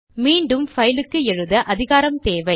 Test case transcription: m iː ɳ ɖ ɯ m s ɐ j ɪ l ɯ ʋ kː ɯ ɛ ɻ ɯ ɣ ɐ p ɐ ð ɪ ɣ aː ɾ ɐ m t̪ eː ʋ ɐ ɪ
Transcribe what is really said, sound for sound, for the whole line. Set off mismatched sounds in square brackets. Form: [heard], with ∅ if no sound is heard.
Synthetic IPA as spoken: m iː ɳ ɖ ɯ m [f] ɐ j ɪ l ɯ [∅] kː ɯ ɛ ɻ ɯ [ð] ɐ [ʔ] ɐ ð ɪ ɣ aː ɾ ɐ m t̪ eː ʋ ɐ ɪ